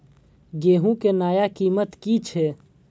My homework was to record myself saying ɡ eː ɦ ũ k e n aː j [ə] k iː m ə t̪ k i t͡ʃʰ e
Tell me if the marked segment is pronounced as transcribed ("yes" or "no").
no